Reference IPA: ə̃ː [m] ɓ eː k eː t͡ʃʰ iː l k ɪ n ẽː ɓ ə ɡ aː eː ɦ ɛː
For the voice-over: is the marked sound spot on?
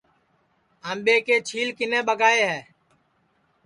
yes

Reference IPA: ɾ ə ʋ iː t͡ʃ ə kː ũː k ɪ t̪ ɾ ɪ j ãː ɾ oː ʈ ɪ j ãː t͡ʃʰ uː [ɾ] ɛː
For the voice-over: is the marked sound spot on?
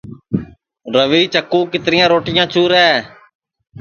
yes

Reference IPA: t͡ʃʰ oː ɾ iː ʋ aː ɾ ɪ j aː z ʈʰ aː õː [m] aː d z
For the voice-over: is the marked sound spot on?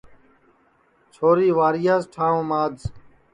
yes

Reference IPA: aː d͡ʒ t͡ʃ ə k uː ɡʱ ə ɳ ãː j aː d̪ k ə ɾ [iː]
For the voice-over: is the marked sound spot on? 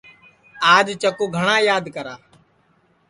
no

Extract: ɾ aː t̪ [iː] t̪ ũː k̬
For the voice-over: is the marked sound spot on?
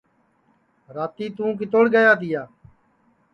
yes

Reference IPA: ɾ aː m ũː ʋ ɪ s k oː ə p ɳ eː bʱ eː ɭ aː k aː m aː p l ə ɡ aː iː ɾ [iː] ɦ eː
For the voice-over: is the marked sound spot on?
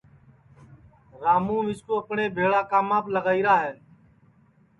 no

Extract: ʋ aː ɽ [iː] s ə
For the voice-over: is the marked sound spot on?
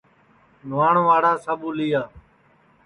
no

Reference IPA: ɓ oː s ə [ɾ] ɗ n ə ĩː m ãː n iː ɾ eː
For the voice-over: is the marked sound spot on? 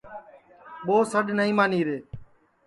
no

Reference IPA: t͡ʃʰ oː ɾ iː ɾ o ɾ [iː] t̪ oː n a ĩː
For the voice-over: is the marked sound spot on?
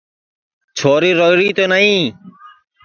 yes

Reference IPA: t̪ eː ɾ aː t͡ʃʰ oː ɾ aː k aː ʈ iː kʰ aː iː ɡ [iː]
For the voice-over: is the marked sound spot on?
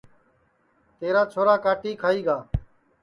no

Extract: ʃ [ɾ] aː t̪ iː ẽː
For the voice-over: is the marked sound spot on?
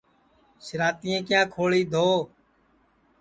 yes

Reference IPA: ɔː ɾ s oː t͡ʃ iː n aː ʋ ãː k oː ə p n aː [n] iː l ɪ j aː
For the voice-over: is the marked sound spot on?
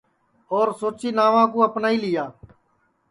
no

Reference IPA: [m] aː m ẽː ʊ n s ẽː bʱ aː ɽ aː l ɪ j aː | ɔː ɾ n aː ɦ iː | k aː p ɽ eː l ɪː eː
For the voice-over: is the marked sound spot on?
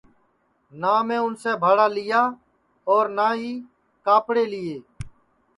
no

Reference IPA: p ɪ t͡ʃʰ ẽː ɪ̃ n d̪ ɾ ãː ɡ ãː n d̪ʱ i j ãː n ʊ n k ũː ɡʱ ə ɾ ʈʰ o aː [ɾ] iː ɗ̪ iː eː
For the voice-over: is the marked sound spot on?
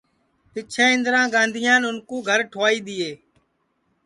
no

